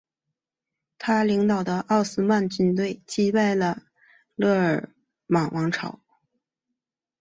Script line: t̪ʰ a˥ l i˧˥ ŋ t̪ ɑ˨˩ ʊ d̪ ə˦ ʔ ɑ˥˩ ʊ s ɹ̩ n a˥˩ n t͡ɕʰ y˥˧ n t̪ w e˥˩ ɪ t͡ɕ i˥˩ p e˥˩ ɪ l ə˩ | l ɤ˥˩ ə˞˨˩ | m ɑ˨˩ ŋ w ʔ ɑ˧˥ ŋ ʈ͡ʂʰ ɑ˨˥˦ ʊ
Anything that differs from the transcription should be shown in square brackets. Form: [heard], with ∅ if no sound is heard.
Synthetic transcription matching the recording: t̪ʰ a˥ l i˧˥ ŋ t̪ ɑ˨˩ ʊ d̪ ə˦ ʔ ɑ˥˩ ʊ s ɹ̩ [m] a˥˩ n [t͡ɕ] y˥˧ n t̪ w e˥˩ ɪ t͡ɕ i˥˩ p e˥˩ ɪ l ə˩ | l ɤ˥˩ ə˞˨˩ | m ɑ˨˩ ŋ w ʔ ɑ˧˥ ŋ ʈ͡ʂʰ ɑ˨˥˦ ʊ

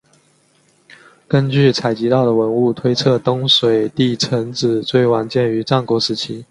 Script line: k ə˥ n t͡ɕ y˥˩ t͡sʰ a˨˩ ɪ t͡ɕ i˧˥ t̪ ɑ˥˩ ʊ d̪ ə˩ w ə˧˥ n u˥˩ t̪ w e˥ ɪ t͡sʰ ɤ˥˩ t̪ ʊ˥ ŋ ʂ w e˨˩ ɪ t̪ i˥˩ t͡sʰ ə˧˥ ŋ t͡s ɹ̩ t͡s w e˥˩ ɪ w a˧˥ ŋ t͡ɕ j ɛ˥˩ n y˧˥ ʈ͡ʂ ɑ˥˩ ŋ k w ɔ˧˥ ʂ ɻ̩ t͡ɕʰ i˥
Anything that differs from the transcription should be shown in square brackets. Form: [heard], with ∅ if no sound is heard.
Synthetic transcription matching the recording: k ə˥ n t͡ɕ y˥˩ t͡sʰ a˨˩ ɪ t͡ɕ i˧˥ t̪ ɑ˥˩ ʊ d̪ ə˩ w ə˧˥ n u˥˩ [t̪ʰ] w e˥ ɪ t͡sʰ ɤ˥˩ t̪ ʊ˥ ŋ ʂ w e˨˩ ɪ t̪ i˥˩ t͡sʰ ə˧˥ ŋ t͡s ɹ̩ t͡s w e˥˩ ɪ w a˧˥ [n] t͡ɕ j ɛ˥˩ n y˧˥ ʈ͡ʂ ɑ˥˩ ŋ k w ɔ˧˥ ʂ ɻ̩ t͡ɕʰ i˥

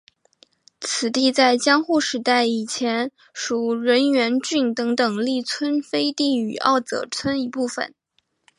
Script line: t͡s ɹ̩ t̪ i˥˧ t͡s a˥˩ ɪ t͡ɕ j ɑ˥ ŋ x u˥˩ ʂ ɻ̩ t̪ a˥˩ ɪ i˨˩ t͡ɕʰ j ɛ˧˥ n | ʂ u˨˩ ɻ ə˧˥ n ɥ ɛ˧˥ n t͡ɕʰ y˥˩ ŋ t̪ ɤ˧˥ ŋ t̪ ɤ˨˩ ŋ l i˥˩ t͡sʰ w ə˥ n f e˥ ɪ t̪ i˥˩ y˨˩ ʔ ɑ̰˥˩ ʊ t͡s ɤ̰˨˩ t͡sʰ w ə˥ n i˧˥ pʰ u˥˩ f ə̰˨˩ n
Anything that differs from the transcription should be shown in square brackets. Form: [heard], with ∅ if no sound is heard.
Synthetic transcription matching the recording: [t͡sʰ] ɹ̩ t̪ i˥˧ t͡s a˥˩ ɪ t͡ɕ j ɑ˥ ŋ x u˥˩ ʂ ɻ̩ t̪ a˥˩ ɪ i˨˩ t͡ɕʰ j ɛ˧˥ n | ʂ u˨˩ ɻ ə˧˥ n ɥ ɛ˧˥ n [t͡ɕ] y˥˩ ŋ t̪ ɤ˧˥ ŋ t̪ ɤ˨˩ ŋ l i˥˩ t͡sʰ w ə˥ n f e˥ ɪ t̪ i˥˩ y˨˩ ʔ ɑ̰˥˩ ʊ t͡s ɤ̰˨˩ t͡sʰ w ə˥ n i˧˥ [p] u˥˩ f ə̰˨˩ n

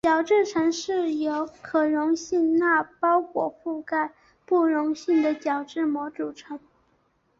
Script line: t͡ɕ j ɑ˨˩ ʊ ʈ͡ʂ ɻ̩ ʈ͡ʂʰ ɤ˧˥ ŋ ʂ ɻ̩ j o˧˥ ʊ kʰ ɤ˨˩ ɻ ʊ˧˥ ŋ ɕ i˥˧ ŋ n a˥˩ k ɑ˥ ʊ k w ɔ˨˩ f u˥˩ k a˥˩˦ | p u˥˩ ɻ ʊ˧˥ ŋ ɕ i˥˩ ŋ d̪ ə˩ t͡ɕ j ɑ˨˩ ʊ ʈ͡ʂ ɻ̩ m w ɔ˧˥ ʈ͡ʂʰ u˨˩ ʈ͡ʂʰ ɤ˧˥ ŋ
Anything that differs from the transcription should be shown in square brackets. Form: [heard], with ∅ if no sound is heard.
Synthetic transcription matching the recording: t͡ɕ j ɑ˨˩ ʊ ʈ͡ʂ ɻ̩ ʈ͡ʂʰ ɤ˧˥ ŋ ʂ ɻ̩ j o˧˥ ʊ kʰ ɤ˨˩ ɻ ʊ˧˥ ŋ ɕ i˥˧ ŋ n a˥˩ [p] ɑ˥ ʊ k w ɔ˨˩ f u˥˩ k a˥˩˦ | p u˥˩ ɻ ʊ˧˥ ŋ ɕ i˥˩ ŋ d̪ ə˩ t͡ɕ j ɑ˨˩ ʊ ʈ͡ʂ ɻ̩ m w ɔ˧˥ [ʈ͡ʂ] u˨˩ ʈ͡ʂʰ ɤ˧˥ ŋ

